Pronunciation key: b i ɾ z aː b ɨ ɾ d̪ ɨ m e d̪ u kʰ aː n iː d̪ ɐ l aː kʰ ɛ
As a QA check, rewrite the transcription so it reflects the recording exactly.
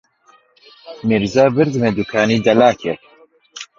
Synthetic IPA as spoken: m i ɾ z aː b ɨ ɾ d̪ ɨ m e d̪ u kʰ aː n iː d̪ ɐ l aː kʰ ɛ